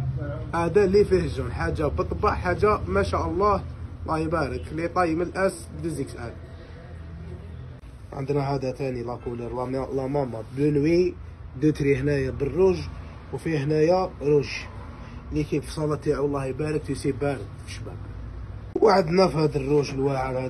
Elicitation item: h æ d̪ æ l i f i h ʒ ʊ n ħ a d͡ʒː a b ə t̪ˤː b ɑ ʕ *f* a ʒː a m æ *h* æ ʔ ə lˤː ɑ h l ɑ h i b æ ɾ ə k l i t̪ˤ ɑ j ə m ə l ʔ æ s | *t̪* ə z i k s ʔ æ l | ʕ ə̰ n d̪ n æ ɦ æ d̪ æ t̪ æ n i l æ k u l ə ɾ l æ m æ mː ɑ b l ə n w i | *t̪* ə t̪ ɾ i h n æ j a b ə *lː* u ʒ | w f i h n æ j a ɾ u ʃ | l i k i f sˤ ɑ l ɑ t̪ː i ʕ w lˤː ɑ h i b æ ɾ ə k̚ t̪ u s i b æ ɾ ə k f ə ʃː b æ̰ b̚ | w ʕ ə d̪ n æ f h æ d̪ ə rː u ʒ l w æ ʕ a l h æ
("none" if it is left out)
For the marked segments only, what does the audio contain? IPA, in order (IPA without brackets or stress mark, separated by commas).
ħ, ʃ, d̪, d̪, rː